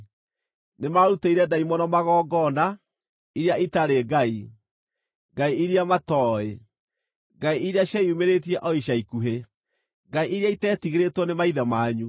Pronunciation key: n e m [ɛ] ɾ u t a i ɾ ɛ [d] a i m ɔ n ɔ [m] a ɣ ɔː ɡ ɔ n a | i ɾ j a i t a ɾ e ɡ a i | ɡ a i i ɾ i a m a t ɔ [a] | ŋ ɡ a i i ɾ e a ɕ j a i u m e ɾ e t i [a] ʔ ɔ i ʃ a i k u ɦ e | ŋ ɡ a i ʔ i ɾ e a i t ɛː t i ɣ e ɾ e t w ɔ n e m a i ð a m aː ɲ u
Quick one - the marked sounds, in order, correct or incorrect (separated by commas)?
incorrect, correct, correct, incorrect, incorrect